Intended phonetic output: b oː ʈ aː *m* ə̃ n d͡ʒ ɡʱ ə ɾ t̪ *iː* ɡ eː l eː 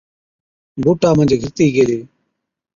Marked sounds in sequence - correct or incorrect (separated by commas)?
correct, correct